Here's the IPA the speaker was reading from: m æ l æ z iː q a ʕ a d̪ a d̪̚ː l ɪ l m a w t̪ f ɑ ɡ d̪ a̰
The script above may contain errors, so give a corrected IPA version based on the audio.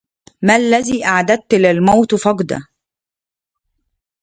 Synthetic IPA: m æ lː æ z iː ʔ a ʕ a d̪ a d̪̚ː l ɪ l m a w t̪ f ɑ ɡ d̪ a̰

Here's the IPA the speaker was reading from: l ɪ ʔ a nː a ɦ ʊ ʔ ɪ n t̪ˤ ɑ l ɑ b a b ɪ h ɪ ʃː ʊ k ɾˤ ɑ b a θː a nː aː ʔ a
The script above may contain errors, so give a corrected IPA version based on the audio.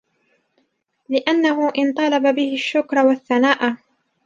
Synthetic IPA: l ɪ ʔ a nː a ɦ ʊ ʔ ɪ n t̪ˤ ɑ l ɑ b a b ɪ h ɪ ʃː ʊ k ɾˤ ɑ w a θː a n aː ʔ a

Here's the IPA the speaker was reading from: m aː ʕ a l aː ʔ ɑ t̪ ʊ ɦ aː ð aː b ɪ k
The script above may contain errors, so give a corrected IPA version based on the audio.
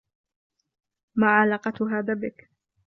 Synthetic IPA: m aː ʕ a l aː q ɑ t̪ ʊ ɦ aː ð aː b ɪ k

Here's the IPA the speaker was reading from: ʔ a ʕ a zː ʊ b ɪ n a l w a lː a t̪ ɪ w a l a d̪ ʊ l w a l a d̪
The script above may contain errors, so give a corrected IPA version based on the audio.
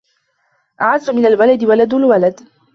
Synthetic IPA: ʔ a ʕ a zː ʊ m ɪ n a l w a l a d̪ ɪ w a l a d̪ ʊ l w a l a d̪

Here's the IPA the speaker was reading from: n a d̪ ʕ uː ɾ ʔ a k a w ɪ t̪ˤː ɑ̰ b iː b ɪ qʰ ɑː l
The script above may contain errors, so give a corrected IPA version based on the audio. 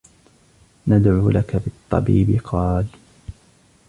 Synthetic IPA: n a d̪ ʕ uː l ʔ a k a b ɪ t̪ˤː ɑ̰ b iː b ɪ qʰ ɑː l

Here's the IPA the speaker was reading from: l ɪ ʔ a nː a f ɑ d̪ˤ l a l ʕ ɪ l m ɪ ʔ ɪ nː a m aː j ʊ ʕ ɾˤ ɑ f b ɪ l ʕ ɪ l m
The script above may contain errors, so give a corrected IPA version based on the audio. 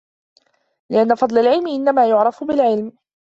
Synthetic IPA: l ɪ ʔ a nː a f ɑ d̪ˤ l a l ʕ ɪ l m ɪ ʔ ɪ nː a m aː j ʊ ʕ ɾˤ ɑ f b ɪ l ʕ ɪ l m

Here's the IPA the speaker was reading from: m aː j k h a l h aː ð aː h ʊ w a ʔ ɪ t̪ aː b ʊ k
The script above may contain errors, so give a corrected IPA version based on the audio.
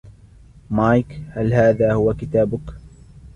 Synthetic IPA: m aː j k h a l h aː ð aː h ʊ w a k ɪ t̪ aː b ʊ k

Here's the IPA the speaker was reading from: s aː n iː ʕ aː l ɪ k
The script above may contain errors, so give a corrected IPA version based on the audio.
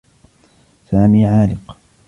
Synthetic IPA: s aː m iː ʕ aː l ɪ q

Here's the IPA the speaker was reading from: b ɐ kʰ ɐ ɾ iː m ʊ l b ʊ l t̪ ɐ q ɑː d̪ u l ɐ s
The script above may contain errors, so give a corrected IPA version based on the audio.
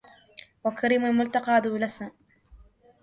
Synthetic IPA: w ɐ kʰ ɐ ɾ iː m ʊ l m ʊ l t̪ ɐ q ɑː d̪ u l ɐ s

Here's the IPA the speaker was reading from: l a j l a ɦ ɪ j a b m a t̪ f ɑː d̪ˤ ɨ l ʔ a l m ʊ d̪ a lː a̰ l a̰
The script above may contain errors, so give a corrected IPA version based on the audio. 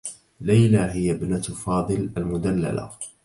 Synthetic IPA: l a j l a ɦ ɪ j a b n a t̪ f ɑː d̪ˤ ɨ l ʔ a l m ʊ d̪ a lː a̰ l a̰

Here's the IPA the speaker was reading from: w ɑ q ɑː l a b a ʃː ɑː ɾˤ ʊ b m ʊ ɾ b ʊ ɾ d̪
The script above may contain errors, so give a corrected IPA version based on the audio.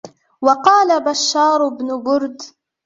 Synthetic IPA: w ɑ q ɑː l a b a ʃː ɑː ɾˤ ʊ b n ʊ b ʊ ɾ d̪

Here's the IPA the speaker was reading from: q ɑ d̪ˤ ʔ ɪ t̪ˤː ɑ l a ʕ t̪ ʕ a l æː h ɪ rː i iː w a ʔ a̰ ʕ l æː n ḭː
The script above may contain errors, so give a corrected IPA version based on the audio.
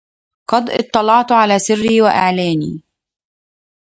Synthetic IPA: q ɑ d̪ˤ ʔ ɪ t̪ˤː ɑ l ɑ ʕ t̪ ʕ a l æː s ɪ rː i iː w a ʔ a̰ ʕ l æː n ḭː

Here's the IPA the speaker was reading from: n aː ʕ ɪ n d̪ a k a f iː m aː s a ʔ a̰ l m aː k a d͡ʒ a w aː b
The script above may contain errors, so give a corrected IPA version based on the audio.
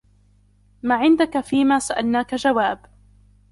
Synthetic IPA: m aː ʕ ɪ n d̪ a k a f iː m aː s a ʔ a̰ l n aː k a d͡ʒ a w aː b

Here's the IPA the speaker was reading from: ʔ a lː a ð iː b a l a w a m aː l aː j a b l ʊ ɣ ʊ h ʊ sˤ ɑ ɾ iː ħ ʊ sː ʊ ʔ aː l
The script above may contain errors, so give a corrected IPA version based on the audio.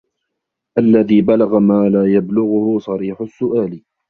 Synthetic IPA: ʔ a lː a ð iː b a l a ɣ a m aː l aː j a b l ʊ ɣ ʊ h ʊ sˤ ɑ ɾ iː ħ ʊ sː ʊ ʔ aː l

